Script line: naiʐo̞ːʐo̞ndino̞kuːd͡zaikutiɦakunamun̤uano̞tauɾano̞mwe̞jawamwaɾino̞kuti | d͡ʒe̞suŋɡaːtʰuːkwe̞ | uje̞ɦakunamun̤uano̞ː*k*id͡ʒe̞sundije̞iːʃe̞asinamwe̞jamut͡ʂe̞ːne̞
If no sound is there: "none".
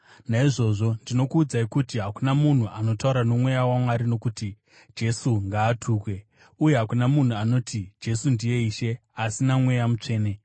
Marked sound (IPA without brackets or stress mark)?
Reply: t